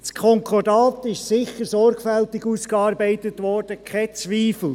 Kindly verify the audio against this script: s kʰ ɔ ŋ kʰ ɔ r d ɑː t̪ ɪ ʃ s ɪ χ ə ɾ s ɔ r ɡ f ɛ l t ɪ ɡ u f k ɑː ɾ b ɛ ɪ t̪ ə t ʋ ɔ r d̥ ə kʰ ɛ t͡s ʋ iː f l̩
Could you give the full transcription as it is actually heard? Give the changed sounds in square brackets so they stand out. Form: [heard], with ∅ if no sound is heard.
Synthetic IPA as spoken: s kʰ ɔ ŋ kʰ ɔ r d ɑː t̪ ɪ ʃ s ɪ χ ə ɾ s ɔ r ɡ f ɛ l t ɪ ɡ u [s] k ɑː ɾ b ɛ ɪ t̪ ə t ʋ ɔ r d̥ ə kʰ ɛ t͡s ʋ iː f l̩